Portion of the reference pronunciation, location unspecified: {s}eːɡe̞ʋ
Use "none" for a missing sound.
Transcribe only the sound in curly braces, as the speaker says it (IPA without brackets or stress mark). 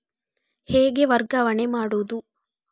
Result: h